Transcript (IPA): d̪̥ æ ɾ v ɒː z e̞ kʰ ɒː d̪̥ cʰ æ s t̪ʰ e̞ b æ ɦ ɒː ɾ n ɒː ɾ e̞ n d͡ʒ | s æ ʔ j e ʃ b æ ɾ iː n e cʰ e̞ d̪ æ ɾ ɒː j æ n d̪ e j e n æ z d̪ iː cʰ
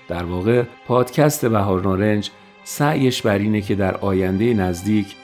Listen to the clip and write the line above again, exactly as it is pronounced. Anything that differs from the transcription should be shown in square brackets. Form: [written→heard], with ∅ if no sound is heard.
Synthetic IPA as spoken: d̪̥ æ ɾ v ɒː [z→ɣ] e̞ [kʰ→pʰ] ɒː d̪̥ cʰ æ s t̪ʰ e̞ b æ ɦ ɒː ɾ n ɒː ɾ e̞ n d͡ʒ | s æ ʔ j e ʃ b æ ɾ iː n e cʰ e̞ d̪ æ ɾ ɒː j æ n d̪ e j e n æ z d̪ iː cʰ